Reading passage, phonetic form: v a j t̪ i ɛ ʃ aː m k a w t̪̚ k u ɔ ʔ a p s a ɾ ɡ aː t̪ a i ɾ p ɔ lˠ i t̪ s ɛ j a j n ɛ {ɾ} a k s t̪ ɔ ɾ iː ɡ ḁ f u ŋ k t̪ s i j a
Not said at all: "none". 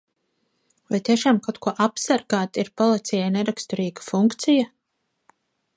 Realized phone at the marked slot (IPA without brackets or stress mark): ɾ